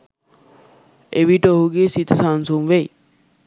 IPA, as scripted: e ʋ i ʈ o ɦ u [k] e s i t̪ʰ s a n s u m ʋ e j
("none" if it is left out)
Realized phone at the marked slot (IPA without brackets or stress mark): ɡ